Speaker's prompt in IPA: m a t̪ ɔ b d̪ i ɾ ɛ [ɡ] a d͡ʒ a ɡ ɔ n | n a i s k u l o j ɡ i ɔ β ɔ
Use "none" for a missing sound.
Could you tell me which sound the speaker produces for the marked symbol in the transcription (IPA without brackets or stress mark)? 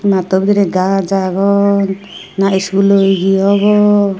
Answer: ɡ